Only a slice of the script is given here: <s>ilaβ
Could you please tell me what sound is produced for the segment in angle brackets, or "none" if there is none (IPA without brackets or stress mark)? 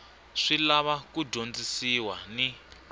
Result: ʂ